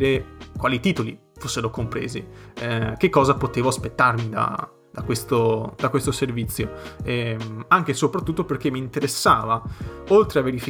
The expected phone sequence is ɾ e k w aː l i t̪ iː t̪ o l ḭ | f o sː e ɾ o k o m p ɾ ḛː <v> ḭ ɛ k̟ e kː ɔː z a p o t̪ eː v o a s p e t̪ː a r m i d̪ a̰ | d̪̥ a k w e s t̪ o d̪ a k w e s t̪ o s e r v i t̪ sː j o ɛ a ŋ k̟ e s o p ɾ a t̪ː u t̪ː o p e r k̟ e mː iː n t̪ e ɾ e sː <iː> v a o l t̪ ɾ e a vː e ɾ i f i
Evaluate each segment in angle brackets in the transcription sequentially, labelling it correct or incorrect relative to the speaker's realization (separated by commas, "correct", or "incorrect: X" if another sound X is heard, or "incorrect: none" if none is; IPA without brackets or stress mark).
incorrect: z, incorrect: aː